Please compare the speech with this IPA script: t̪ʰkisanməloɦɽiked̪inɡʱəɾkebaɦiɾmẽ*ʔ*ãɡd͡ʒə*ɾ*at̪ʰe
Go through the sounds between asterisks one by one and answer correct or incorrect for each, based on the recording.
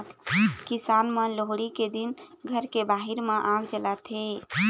correct, incorrect

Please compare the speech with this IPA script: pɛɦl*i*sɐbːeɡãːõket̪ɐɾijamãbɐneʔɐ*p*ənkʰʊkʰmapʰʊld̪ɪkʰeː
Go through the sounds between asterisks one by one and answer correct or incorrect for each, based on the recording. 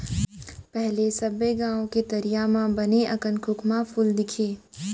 incorrect, incorrect

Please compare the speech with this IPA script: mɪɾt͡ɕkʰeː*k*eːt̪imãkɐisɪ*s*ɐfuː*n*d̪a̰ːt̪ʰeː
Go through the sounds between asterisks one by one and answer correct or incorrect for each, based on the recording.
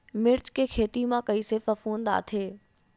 incorrect, incorrect, correct

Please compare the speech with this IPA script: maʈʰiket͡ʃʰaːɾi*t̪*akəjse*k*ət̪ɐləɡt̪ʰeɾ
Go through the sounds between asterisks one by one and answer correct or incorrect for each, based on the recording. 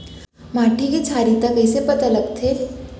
correct, incorrect

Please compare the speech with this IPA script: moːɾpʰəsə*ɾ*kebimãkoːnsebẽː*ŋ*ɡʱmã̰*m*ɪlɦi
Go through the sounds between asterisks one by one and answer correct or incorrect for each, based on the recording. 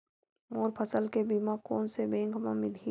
incorrect, correct, correct

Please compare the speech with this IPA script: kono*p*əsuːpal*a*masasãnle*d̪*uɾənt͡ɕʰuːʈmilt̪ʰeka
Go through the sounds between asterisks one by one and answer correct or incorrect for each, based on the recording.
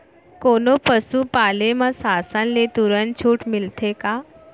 correct, incorrect, incorrect

